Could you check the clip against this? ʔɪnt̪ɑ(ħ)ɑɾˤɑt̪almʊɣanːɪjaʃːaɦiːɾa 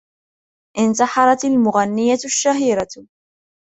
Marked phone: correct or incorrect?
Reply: correct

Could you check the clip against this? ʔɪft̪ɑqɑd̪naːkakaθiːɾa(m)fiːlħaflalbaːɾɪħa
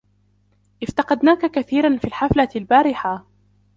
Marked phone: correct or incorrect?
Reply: incorrect: n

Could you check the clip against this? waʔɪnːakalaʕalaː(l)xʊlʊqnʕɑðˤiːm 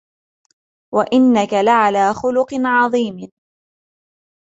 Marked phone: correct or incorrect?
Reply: incorrect: none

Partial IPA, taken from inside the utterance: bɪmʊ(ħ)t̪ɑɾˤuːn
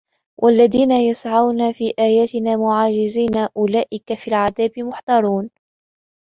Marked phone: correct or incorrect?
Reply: correct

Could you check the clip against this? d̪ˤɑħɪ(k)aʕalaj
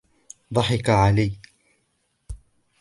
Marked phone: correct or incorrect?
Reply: correct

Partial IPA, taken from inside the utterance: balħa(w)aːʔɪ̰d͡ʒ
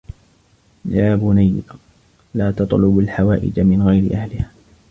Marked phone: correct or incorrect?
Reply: correct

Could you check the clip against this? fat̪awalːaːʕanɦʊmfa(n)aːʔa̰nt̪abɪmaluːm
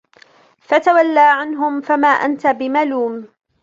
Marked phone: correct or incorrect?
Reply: incorrect: m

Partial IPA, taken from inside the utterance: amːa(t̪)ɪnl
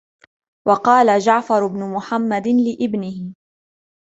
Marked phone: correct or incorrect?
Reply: incorrect: d̪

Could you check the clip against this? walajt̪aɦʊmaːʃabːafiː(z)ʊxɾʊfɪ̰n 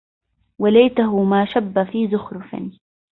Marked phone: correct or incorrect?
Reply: correct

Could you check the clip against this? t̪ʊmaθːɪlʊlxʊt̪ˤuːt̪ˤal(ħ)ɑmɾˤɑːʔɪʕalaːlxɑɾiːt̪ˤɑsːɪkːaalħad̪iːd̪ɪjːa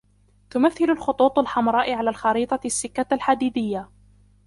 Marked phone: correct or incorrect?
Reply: correct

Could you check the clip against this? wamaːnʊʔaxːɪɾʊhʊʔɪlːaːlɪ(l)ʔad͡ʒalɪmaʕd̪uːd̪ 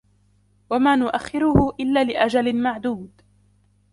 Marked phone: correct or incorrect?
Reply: incorrect: none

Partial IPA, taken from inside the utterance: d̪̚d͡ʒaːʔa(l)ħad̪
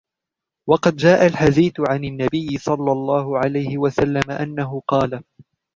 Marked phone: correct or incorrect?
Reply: correct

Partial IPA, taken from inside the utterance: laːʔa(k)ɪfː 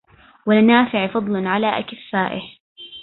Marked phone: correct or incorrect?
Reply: correct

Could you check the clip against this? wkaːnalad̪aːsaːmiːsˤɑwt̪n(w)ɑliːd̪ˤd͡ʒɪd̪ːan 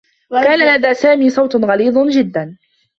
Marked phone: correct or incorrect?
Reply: incorrect: ɣ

